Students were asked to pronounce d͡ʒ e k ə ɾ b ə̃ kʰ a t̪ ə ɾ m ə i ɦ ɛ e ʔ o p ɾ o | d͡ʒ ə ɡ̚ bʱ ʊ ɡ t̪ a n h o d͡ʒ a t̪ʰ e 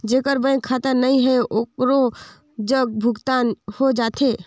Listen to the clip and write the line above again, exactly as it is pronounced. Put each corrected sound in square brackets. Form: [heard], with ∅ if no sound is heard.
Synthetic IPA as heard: d͡ʒ e k ə ɾ b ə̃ kʰ a t̪ ə ɾ [n] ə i ɦ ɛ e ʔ o [k] ɾ o | d͡ʒ ə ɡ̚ bʱ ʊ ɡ t̪ a n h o d͡ʒ a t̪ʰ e